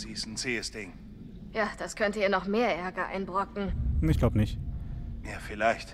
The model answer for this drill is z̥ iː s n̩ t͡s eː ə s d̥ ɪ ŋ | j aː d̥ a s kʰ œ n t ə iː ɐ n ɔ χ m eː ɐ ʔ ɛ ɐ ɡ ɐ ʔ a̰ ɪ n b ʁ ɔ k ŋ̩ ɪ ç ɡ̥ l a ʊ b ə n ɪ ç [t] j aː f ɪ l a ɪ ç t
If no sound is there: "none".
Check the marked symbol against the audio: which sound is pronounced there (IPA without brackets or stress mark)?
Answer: t